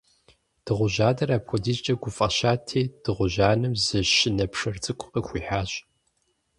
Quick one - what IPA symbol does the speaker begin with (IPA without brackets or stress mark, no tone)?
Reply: d̥